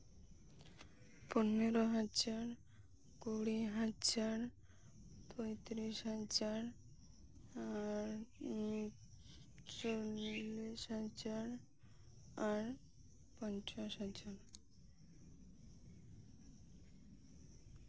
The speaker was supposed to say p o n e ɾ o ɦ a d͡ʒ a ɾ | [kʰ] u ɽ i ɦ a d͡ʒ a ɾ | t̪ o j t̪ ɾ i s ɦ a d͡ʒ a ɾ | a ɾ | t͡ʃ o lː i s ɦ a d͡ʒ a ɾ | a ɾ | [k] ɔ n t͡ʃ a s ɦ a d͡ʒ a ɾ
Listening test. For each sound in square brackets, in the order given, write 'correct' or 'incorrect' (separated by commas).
incorrect, incorrect